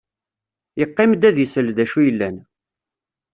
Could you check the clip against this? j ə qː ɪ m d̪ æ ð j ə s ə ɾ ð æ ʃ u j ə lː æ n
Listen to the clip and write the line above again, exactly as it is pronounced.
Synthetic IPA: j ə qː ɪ m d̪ æ ð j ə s ə l ð æ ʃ u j ə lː æ n